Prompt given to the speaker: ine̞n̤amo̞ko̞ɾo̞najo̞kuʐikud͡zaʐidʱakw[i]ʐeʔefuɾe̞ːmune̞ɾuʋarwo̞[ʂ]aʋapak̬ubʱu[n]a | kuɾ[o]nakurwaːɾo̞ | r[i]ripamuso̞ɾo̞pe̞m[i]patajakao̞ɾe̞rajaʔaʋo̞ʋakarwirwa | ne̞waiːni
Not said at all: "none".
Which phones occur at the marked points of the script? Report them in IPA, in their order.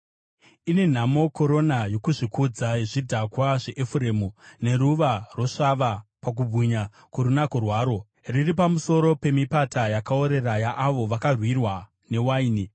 a, ʂ, ɲ, u, i, i

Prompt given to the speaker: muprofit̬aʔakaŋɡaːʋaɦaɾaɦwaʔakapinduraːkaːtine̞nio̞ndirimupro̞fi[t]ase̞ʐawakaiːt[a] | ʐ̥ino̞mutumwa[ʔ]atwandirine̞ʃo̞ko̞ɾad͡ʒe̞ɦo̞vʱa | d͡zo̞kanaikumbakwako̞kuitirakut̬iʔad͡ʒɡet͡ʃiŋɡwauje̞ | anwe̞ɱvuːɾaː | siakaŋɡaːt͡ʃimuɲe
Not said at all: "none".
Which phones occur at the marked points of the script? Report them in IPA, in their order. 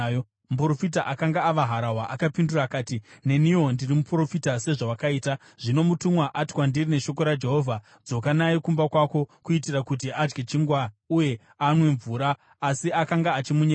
t, a, ʔ

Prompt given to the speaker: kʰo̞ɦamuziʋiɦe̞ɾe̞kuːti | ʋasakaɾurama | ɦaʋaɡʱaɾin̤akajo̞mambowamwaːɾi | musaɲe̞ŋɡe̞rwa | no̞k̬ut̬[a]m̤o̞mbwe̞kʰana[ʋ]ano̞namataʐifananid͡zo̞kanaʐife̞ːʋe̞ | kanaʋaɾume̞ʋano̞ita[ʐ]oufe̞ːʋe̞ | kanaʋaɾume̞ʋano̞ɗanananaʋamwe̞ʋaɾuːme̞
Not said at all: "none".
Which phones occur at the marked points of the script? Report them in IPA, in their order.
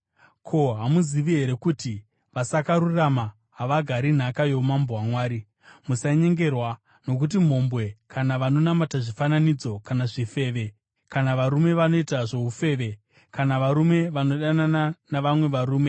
i, ʋ, ʐ

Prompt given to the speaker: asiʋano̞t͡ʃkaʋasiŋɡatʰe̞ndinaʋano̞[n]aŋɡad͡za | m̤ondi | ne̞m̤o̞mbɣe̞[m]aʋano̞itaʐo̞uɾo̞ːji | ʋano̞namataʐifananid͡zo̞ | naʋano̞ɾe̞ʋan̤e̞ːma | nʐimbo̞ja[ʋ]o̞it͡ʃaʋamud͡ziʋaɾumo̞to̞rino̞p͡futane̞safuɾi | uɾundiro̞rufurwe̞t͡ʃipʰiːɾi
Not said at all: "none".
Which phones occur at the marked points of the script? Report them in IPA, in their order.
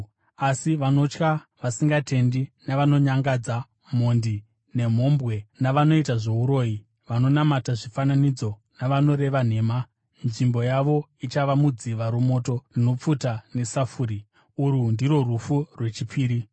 ɲ, n, ʋ

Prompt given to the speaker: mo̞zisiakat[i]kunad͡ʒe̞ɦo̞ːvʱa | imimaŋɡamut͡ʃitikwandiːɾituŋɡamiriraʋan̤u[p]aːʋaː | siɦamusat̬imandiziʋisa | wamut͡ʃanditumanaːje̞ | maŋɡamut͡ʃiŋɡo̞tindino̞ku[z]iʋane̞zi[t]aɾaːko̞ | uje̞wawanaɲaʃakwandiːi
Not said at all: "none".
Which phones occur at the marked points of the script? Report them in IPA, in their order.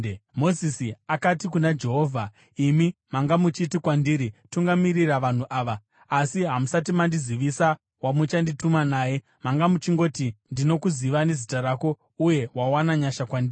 i, ʔ, z, t

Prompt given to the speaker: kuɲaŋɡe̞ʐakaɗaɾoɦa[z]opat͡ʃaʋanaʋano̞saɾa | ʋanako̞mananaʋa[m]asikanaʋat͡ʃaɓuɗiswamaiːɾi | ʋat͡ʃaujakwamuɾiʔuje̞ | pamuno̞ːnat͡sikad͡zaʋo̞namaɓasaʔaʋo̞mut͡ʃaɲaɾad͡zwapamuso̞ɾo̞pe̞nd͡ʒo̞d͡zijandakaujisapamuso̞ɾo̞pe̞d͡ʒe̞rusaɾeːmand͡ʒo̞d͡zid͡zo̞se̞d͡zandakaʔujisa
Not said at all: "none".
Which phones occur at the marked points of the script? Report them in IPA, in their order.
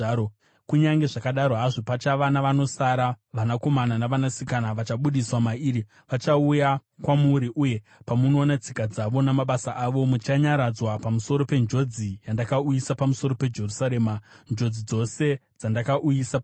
ʐ, n

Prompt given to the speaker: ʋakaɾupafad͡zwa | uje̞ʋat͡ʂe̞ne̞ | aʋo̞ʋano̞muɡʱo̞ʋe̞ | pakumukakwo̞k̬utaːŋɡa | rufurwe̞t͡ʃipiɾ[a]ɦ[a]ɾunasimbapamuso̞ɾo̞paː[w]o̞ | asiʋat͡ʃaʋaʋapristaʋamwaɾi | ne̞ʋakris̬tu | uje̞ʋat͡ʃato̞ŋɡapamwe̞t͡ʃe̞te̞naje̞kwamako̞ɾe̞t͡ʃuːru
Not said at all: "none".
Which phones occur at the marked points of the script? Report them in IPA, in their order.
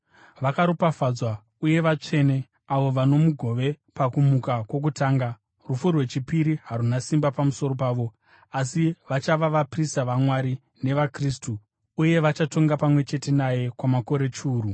i, a, ʋ

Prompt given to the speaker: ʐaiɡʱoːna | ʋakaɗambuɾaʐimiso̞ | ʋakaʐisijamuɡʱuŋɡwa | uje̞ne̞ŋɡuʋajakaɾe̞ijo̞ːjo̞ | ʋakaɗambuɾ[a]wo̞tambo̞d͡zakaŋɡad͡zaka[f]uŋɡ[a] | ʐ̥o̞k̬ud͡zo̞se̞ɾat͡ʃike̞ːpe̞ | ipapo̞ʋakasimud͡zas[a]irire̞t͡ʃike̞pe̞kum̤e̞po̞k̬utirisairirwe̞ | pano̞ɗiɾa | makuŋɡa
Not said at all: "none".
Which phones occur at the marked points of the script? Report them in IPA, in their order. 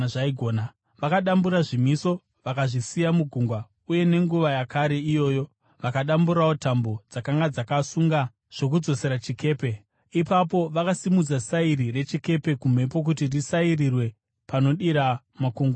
a, s, a, a

